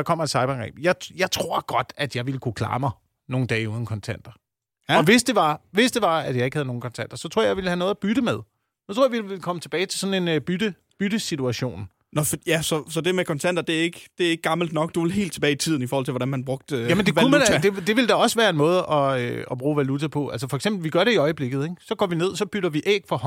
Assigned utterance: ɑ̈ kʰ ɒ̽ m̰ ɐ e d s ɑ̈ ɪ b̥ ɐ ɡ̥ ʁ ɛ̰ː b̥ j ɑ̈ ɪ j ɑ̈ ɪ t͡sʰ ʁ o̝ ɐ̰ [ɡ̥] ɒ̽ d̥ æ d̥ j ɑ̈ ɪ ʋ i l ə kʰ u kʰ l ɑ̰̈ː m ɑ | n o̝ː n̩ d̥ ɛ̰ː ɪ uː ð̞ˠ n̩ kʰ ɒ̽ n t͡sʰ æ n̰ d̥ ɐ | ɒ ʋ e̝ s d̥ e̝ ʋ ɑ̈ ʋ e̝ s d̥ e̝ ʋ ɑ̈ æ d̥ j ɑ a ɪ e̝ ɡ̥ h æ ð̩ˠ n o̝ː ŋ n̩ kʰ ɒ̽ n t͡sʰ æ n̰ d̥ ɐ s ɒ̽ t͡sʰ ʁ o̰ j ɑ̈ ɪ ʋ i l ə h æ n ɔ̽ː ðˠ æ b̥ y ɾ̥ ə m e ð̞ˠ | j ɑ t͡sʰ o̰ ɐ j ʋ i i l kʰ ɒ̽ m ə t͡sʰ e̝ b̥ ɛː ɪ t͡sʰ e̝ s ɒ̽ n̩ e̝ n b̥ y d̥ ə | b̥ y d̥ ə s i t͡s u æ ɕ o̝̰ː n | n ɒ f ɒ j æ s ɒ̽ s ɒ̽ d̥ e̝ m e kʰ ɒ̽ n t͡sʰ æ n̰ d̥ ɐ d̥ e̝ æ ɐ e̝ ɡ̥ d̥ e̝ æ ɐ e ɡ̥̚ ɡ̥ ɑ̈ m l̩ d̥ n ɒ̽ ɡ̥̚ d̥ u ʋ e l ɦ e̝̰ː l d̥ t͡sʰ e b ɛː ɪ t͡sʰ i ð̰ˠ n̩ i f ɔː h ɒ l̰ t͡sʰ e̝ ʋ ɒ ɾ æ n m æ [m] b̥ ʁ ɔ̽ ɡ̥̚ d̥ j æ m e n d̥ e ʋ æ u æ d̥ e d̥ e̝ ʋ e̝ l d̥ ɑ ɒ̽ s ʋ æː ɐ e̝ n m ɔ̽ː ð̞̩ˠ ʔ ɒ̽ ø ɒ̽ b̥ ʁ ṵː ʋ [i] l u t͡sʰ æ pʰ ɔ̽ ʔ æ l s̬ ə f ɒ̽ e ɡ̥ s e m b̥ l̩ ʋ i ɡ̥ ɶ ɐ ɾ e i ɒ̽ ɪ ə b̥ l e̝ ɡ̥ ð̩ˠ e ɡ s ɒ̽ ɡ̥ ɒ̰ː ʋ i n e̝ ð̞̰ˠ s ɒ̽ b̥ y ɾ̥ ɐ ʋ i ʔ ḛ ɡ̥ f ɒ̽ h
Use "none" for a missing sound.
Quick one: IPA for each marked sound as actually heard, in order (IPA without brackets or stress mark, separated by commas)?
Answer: ɡ̥, n, æ